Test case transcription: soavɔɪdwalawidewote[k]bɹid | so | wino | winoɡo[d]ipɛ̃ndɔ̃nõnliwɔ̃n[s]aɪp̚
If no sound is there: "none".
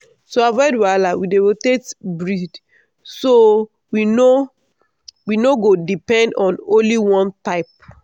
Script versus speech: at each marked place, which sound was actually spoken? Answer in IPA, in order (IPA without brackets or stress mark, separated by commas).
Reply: t, d, t